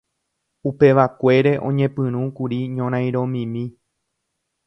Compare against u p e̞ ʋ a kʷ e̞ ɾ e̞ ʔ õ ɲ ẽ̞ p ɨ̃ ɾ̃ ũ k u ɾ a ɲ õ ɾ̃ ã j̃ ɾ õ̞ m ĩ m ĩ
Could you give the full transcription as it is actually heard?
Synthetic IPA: u p e̞ ʋ a kʷ e̞ ɾ e̞ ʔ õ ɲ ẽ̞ p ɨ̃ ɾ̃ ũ k u ɾ i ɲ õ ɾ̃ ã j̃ ɾ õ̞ m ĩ m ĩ